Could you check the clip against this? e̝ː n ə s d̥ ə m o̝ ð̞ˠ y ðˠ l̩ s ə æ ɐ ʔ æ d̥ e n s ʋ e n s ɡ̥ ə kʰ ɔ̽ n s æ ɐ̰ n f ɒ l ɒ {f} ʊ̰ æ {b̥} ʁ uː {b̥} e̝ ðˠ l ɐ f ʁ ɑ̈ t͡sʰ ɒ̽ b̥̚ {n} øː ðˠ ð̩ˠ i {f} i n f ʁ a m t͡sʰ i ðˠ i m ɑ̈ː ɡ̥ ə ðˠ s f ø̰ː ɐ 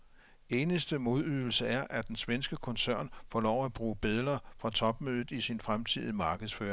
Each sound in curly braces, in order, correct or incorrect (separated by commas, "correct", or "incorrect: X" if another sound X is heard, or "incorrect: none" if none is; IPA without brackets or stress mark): incorrect: none, correct, correct, incorrect: m, incorrect: s